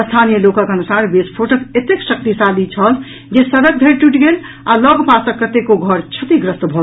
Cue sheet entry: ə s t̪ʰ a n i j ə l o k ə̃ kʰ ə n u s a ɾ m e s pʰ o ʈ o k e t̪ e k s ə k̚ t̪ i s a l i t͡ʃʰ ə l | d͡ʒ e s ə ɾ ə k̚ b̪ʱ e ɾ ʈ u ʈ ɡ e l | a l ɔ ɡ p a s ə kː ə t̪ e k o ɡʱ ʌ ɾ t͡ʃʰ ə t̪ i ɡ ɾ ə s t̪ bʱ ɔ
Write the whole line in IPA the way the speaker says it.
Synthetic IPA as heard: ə s t̪ʰ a n i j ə l o k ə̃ k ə n u s a ɾ b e s pʰ o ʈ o k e t̪ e k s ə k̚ t̪ i s a l i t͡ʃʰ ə l | d͡ʒ e s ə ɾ ə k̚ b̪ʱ e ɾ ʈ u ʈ ɡ e l | a l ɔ ɡ p a s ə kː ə t̪ e k o ɡʱ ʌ ɾ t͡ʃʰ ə t̪ i ɡ ɾ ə s t̪ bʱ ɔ